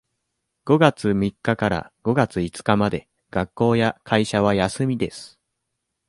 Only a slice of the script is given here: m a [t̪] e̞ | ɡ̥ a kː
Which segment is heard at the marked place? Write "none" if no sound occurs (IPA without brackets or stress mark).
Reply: d̪